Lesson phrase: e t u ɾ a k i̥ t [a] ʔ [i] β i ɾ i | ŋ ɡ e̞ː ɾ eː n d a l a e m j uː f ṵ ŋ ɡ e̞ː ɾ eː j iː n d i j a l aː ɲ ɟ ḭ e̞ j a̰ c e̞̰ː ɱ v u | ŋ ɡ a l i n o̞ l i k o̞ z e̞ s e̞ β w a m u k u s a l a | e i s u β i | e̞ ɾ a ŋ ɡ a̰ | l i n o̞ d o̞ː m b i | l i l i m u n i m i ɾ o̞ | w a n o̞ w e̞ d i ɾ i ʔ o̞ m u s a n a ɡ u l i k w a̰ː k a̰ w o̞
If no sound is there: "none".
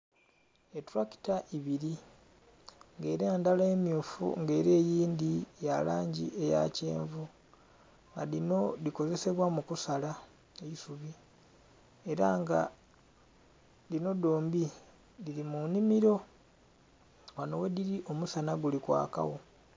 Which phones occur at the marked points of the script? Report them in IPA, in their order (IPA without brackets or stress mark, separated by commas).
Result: a, i